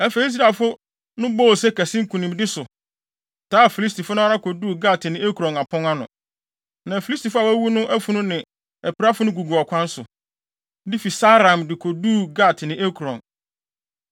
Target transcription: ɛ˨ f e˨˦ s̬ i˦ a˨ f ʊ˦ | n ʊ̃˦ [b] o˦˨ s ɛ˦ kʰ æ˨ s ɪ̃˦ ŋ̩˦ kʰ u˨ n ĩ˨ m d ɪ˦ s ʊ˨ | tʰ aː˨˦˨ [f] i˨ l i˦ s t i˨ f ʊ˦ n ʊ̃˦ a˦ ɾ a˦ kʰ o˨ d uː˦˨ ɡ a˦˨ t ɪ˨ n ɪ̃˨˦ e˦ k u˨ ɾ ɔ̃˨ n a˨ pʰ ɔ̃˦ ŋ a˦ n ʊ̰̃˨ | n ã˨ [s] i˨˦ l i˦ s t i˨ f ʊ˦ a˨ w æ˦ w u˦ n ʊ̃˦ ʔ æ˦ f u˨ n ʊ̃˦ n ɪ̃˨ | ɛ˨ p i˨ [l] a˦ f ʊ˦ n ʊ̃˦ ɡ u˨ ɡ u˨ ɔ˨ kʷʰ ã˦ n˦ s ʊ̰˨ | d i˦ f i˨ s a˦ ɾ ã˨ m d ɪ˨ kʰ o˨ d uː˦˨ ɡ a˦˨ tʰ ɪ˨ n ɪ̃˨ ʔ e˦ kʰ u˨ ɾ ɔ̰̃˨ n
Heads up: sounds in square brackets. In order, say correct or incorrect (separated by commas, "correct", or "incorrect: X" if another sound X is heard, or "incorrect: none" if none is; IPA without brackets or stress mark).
correct, correct, incorrect: f, incorrect: ɾ